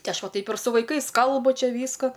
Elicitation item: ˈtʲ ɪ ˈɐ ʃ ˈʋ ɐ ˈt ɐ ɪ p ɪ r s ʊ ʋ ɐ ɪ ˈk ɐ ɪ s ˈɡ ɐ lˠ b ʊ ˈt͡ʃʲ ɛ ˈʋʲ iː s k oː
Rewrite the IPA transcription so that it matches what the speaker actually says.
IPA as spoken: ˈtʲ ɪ ˈɐ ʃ ˈʋ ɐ ˈt ɐ ɪ p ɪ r s ʊ ʋ ɐ ɪ ˈk ɐ ɪ s ˈk ɐ lˠ b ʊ ˈt͡ʃʲ ɛ ˈʋʲ iː s k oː